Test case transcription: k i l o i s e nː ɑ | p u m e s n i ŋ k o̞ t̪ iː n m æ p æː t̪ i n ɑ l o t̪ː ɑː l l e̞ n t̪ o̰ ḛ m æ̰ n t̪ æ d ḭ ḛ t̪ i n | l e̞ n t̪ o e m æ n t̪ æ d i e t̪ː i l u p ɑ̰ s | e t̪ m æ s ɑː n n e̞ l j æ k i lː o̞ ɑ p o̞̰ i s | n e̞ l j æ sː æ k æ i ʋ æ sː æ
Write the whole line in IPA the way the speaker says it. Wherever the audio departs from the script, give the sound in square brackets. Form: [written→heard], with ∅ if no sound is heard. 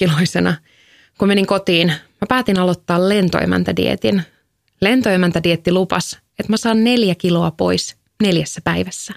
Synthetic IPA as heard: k i l o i s e [nː→n] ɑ | [p→k] u m e [s→∅] n i ŋ k o̞ t̪ iː n m æ p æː t̪ i n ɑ l o t̪ː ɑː l l e̞ n t̪ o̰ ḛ m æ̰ n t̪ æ d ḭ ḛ t̪ i n | l e̞ n t̪ o e m æ n t̪ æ d i e t̪ː i l u p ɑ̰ s | e t̪ m æ s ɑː n n e̞ l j æ k i [lː→l] o̞ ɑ p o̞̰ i s | n e̞ l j æ sː æ [k→p] æ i ʋ æ sː æ